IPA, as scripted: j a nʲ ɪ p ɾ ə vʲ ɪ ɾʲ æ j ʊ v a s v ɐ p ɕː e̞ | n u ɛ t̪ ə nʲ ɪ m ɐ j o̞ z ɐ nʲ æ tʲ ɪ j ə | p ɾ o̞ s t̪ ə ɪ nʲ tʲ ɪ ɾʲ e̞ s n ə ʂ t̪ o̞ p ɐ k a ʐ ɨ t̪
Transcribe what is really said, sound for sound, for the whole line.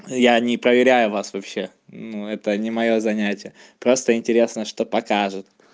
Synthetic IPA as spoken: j a nʲ ɪ p ɾ ə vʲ ɪ ɾʲ æ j ʊ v a s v ɐ p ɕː e̞ | n u ɛ t̪ ə nʲ ɪ m ɐ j o̞ z ɐ nʲ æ tʲ ɪ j ə | p ɾ o̞ s t̪ ə ɪ nʲ tʲ ɪ ɾʲ e̞ s n ə ʂ t̪ o̞ p ɐ k a ʐ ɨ t̪